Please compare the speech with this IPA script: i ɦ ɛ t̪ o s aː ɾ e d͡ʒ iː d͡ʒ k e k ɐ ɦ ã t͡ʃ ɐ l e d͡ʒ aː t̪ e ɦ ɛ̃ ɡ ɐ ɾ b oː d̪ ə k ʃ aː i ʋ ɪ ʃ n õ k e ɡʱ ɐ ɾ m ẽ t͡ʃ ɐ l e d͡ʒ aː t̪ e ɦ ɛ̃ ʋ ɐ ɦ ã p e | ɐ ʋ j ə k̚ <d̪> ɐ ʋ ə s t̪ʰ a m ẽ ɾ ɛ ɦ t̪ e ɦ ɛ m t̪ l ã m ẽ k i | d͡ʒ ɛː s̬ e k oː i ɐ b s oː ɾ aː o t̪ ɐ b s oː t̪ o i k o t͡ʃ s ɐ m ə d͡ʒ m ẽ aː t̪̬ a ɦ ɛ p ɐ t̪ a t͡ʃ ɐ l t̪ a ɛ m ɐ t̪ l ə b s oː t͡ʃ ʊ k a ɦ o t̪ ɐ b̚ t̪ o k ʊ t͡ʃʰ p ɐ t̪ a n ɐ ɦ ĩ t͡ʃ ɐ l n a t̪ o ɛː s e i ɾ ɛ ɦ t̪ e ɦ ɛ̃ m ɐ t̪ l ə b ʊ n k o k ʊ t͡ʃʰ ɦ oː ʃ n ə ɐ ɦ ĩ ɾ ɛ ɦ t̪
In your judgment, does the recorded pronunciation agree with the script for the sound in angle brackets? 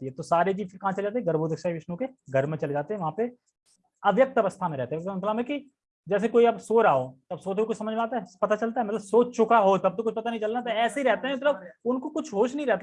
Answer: no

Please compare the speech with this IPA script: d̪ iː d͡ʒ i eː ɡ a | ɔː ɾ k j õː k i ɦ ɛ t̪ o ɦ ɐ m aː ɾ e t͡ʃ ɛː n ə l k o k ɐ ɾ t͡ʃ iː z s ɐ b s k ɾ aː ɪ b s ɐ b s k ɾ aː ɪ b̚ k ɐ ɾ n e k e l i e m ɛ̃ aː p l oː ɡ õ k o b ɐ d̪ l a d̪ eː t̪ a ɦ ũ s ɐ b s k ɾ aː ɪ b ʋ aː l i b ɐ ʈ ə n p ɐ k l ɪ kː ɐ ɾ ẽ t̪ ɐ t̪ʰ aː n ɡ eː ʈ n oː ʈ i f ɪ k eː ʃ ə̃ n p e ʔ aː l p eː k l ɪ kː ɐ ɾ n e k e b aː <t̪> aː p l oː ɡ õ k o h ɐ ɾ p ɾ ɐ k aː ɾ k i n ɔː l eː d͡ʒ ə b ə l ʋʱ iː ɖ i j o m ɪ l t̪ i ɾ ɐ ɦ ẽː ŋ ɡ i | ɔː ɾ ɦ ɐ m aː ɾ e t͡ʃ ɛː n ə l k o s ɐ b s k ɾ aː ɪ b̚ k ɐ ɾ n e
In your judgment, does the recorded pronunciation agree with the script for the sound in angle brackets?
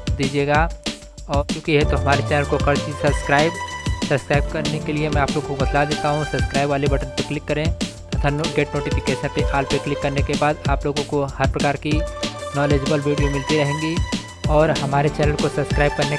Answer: no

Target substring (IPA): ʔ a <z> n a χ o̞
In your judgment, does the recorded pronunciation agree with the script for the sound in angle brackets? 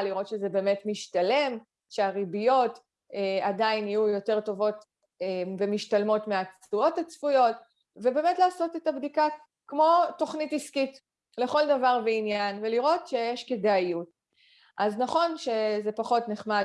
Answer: yes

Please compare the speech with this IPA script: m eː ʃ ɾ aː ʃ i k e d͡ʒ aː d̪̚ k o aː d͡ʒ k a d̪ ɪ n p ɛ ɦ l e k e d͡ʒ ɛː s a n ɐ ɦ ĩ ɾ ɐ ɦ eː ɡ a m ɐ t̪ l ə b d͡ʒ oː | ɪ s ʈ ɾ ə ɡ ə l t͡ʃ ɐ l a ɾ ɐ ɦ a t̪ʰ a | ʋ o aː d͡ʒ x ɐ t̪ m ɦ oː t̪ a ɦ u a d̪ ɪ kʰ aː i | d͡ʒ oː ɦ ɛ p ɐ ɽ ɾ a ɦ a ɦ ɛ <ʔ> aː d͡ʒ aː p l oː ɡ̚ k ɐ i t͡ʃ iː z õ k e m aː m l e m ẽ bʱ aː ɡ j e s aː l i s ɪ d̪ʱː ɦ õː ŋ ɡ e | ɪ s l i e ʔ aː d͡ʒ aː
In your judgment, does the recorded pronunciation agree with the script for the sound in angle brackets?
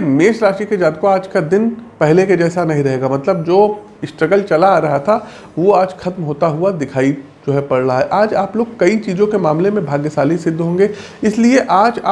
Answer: yes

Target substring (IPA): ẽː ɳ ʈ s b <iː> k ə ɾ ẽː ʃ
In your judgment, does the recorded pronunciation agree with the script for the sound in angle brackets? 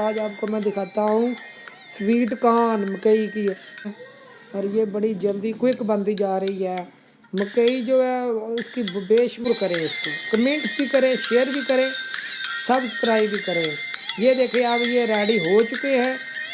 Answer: yes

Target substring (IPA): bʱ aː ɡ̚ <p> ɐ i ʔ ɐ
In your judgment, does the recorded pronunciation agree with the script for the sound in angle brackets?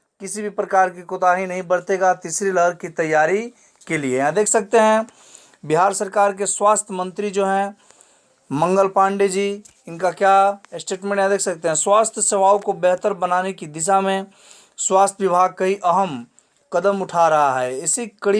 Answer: no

